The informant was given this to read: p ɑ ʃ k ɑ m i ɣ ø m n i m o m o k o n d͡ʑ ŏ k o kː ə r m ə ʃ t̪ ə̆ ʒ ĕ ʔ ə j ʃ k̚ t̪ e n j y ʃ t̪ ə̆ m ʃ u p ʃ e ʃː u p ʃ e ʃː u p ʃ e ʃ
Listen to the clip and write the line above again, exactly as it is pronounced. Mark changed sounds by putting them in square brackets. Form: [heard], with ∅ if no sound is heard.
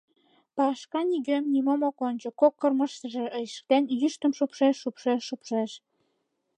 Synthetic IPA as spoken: p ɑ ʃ k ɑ [n] i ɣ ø m n i m o m o k o n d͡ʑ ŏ k o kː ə r m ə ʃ t̪ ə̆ ʒ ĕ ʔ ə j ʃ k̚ t̪ e n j y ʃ t̪ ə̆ m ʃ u p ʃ e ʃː u p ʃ e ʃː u p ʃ e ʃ